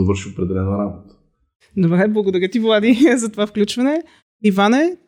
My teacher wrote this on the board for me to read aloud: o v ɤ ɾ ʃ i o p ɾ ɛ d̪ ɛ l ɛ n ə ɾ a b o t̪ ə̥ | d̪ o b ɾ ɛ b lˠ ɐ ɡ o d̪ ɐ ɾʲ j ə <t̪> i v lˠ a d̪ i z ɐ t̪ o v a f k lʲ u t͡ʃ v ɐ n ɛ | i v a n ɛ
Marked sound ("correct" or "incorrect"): correct